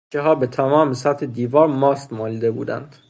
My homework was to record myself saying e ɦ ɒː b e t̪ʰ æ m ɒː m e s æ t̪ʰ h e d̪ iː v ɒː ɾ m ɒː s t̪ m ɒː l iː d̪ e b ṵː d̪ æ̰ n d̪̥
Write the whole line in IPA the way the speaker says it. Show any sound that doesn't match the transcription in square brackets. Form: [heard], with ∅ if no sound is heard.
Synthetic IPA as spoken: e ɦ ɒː b e t̪ʰ æ m ɒː m e s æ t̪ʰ h e d̪ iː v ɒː ɾ m ɒː s t̪ m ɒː l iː d̪ e b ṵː d̪ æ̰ n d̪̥